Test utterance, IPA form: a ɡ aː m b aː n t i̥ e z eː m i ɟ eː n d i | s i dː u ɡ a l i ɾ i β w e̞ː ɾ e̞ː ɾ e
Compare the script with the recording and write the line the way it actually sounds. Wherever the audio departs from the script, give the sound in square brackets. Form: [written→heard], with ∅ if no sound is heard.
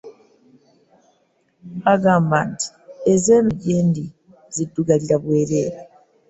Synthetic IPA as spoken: a ɡ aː m b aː n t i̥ e z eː m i ɟ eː n d i | [s→z] i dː u ɡ a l i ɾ [i→a] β w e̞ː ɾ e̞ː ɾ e

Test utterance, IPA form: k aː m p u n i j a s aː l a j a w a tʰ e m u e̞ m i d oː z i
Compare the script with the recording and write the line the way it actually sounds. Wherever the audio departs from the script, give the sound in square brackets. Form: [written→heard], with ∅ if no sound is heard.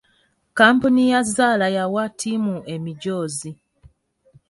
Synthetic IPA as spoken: k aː m p u n i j a [s→z] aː l a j a w a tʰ [e→i] m u e̞ m i [d→ɟ] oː z i

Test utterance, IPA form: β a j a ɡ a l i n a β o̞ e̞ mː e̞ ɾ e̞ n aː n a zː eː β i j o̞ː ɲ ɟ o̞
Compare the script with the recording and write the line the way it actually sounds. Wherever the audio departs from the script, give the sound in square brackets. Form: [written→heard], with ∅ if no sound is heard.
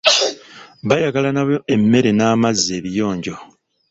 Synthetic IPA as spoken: β a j a ɡ a l [i→a] n a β o̞ e̞ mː e̞ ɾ e̞ n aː [n→m] a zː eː β i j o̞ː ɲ ɟ o̞

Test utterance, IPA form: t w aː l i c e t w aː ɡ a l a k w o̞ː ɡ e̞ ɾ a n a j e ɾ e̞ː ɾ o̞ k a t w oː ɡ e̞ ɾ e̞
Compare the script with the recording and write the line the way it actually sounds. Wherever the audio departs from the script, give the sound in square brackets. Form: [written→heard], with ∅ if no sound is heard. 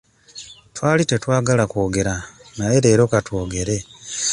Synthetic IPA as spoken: t w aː l i [c→t] e t w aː ɡ a l a k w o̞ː ɡ e̞ ɾ a n a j e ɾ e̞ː ɾ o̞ k a t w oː ɡ e̞ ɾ e̞

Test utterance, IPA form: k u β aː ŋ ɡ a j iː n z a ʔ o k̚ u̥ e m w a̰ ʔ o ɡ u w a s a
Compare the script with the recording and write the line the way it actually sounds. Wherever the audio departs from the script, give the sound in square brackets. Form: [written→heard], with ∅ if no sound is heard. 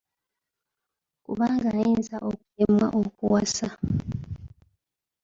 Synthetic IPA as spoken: k u β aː ŋ ɡ a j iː n z a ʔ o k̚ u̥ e m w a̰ ʔ o [ɡ→k] u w a s a

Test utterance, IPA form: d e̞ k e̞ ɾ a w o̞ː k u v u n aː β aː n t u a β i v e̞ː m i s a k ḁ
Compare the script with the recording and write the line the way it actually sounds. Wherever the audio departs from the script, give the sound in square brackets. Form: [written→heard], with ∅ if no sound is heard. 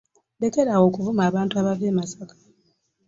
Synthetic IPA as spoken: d e̞ k e̞ ɾ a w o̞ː k u v u [n→m] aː β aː n t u a β [i→a] v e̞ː m [i→a] s a k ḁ

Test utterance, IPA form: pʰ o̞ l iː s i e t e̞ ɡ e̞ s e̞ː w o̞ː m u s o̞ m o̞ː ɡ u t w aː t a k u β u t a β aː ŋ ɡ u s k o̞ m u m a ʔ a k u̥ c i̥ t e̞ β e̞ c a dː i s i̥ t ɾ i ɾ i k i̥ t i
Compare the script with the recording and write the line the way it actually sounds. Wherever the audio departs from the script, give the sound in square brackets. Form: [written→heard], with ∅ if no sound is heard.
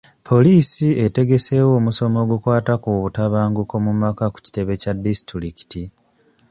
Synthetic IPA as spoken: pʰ o̞ l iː s i e t e̞ ɡ e̞ s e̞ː w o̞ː m u s o̞ m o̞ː ɡ u [t→k] w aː t a k u β u t a β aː ŋ ɡ u [s→∅] k o̞ m u m a [ʔ→k] a k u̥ c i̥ t e̞ β e̞ c a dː i s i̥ t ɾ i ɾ i k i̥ t i

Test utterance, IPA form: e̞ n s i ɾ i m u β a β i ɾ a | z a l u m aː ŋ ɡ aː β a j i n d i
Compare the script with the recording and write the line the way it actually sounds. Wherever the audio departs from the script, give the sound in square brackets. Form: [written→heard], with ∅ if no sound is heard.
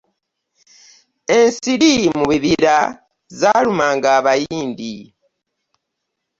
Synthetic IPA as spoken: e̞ n s i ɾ i m u β [a→i] β i ɾ a | z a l u m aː ŋ ɡ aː β a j [i→iː] n d i

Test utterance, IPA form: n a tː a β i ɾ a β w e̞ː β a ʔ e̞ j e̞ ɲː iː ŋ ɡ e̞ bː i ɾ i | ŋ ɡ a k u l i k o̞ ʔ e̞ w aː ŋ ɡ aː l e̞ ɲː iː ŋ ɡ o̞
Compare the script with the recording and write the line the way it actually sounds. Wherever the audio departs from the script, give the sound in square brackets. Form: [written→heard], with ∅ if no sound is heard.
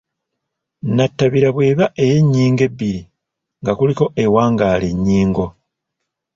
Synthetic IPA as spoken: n a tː a β i ɾ a β w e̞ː β a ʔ e̞ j e̞ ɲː iː ŋ ɡ e̞ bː i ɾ i | ŋ ɡ a k u l i k o̞ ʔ e̞ w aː ŋ ɡ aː l e̞ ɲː iː ŋ ɡ o̞

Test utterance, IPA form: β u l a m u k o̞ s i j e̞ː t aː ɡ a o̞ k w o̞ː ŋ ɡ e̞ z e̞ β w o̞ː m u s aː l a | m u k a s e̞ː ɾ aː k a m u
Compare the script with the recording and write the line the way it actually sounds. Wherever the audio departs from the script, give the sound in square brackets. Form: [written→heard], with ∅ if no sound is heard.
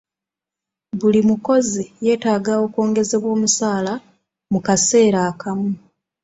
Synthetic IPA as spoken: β u l [a→i] m u k o̞ [s→z] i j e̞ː t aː ɡ a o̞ k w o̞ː ŋ ɡ e̞ z e̞ β w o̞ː m u s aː l a | m u k a s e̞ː ɾ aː k a m u

